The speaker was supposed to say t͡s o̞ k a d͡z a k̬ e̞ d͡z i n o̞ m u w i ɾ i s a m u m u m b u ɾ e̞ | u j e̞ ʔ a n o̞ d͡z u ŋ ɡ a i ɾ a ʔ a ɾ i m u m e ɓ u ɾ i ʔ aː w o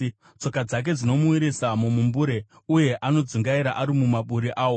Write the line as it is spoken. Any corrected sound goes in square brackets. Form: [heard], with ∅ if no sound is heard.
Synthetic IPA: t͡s o̞ k a d͡z a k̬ e̞ d͡z i n o̞ m u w i ɾ i s a m u m u m b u ɾ e̞ | u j e̞ ʔ a n o̞ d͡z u ŋ ɡ a i ɾ a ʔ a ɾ i m u m [a] ɓ u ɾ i ʔ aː w o